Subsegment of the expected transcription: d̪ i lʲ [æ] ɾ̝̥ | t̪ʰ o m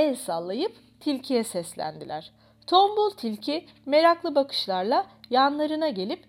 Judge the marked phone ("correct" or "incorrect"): correct